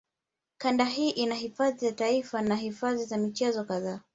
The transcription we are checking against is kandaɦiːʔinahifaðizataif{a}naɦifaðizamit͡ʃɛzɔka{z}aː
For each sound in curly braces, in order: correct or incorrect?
correct, incorrect: ð

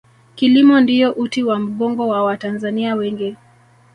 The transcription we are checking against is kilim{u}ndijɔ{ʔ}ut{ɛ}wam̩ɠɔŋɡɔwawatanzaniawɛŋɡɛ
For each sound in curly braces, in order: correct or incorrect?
incorrect: ɔ, correct, incorrect: i

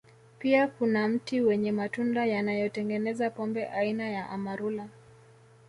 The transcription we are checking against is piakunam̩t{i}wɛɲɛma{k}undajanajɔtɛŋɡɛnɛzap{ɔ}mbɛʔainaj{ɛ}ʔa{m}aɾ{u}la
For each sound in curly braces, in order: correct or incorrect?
correct, incorrect: t, correct, incorrect: a, correct, correct

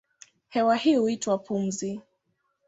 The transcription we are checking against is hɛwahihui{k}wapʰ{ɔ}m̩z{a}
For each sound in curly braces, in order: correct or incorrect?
incorrect: t, incorrect: u, incorrect: i

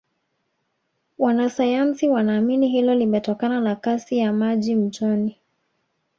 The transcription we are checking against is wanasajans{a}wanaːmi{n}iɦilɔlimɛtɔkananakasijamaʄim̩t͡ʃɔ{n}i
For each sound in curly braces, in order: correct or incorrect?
incorrect: i, correct, correct

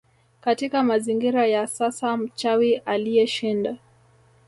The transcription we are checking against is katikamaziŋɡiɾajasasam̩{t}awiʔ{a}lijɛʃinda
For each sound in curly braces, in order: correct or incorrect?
incorrect: t͡ʃ, correct

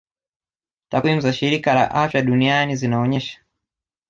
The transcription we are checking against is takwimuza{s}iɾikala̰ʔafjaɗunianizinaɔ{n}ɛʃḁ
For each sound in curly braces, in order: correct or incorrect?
incorrect: ʃ, incorrect: ɲ

